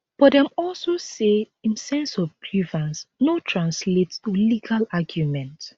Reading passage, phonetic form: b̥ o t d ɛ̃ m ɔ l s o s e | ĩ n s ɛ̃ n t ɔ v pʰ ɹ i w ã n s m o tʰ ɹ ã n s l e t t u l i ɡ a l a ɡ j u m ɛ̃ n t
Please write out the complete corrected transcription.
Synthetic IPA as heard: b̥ ɔ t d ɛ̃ m ɔ l s o s e | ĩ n s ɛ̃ n s ɔ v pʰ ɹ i v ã n s n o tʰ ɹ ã n s l e t t u l i ɡ a l a ɡ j u m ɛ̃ n t